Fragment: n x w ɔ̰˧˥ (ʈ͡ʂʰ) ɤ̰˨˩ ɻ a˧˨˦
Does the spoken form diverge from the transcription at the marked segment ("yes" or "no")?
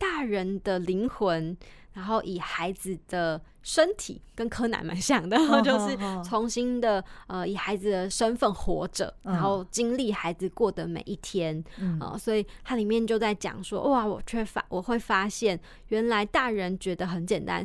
yes